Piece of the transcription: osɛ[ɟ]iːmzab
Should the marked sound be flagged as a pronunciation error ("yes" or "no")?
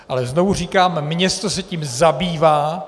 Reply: yes